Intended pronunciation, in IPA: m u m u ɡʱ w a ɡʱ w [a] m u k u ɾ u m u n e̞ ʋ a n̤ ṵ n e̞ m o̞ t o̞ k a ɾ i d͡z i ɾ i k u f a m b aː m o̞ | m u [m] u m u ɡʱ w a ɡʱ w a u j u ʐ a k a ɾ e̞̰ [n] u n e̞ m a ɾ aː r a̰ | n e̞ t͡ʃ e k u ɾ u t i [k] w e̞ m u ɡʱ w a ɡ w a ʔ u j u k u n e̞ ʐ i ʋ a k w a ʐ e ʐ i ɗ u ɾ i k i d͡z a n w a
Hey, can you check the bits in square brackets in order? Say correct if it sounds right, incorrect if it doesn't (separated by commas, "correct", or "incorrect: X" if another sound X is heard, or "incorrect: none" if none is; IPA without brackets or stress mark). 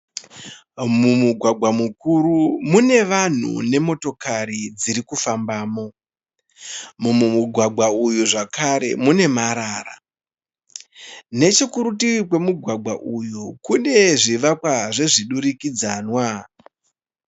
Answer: correct, correct, incorrect: m, correct